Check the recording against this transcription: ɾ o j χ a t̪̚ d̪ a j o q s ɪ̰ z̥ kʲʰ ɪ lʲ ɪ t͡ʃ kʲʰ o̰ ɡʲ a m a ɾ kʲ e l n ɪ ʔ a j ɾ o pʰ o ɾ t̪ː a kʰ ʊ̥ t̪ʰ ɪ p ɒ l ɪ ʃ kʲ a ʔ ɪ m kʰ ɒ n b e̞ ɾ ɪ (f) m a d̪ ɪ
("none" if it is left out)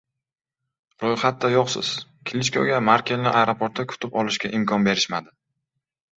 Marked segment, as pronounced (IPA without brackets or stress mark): ʃ